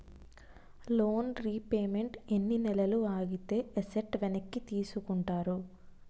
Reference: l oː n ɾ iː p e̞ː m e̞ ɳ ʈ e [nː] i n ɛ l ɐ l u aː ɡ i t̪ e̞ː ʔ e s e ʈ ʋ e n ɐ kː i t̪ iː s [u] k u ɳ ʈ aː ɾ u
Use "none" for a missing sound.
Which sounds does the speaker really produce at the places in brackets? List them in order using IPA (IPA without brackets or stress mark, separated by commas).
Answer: nː, u